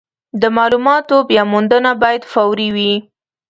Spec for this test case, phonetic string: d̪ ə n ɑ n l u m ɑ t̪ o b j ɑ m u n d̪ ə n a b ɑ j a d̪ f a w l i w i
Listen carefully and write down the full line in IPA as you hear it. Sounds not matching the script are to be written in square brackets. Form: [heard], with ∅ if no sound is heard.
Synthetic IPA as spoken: d̪ ə [m] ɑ [∅] l u m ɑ t̪ o b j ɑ m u n d̪ ə n a b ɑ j a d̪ f a w [ɾ] i w i